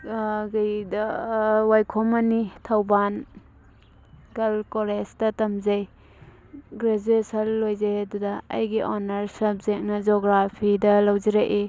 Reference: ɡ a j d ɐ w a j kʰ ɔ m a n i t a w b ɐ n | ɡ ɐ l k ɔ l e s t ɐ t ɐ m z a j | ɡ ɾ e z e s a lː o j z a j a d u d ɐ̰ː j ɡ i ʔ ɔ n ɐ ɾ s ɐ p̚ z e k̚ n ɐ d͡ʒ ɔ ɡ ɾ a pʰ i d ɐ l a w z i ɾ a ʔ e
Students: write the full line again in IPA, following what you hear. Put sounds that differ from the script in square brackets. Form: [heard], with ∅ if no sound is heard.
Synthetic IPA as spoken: ɡ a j d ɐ w a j kʰ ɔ m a n i [tʰ] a w b [a] n | ɡ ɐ l k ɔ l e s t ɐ t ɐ m z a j | ɡ ɾ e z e s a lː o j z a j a d u d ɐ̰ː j ɡ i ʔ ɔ n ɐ ɾ s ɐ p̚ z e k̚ n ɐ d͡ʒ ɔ ɡ ɾ a pʰ i d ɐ l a w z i ɾ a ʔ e